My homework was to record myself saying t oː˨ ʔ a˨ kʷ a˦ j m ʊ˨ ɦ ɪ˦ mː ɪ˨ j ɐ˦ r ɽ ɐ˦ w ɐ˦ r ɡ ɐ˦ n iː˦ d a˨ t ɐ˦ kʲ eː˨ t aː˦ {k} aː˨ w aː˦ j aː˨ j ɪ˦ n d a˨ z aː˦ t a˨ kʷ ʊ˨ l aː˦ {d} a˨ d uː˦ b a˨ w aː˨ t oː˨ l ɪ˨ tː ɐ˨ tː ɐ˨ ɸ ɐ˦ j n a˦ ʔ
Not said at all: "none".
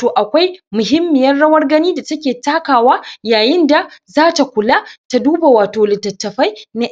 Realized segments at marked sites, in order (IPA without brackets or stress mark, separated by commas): k, t